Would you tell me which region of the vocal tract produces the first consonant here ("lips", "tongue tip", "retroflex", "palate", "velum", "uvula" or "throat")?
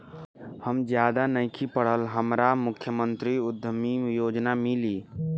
throat